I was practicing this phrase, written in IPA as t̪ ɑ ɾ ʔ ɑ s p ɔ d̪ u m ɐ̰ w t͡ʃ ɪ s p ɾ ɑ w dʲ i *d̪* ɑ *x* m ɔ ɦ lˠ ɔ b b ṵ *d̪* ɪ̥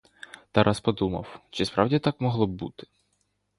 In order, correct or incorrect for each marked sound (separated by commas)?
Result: incorrect, incorrect, incorrect